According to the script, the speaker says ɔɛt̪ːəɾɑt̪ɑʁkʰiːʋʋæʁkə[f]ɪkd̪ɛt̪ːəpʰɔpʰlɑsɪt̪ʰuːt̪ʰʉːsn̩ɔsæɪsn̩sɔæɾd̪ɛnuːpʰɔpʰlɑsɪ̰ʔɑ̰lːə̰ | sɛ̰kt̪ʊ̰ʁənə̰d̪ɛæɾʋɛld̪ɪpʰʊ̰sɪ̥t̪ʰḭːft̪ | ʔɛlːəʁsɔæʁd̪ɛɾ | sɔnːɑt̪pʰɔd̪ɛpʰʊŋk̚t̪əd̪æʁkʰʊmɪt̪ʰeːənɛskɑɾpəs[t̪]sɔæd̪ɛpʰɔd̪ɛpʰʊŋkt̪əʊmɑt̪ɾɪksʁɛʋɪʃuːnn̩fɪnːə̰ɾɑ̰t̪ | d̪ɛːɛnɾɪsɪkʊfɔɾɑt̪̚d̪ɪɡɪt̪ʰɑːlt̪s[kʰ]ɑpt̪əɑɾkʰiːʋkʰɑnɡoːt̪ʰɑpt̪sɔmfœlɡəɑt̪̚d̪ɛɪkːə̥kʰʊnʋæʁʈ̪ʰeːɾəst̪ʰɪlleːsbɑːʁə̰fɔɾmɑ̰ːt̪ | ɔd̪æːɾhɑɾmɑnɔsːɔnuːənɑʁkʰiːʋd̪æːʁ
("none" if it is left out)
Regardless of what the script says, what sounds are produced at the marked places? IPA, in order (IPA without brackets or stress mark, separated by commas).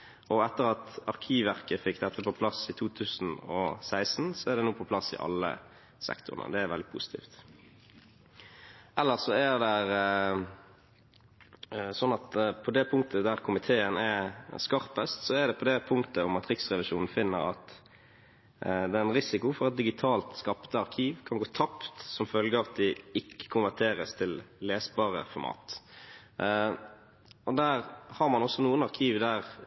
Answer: f, t̪, k